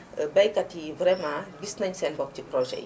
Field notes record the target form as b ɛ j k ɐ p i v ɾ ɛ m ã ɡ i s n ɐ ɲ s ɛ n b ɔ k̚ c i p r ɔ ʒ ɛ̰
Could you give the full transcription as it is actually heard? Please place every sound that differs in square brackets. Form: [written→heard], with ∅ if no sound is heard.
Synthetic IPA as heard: b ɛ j k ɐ [p→t] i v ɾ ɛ m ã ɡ i s n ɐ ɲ s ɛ n b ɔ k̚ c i p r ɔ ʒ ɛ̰